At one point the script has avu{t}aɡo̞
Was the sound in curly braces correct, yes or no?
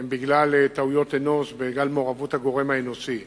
yes